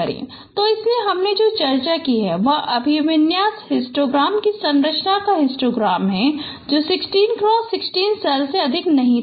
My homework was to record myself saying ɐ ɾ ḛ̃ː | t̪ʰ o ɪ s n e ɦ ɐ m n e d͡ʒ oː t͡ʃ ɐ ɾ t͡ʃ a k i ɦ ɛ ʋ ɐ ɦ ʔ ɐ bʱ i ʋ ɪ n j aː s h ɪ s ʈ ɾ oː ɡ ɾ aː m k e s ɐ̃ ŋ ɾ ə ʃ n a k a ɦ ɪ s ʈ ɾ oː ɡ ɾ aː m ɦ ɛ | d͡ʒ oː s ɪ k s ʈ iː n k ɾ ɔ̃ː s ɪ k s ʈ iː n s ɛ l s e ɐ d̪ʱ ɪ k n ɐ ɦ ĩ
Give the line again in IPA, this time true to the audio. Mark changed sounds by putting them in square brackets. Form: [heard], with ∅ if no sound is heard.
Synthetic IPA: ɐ ɾ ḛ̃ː | [t̪] o ɪ s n e ɦ ɐ m n e d͡ʒ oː t͡ʃ ɐ ɾ t͡ʃ a k i ɦ ɛ ʋ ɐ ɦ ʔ ɐ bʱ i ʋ ɪ n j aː s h ɪ s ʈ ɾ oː ɡ ɾ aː m k [i] s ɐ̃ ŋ ɾ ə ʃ n a k a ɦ ɪ s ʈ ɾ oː ɡ ɾ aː m ɦ ɛ | d͡ʒ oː s ɪ k s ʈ iː n k ɾ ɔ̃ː s ɪ k s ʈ iː n s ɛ l s e ɐ d̪ʱ ɪ k n ɐ ɦ ĩ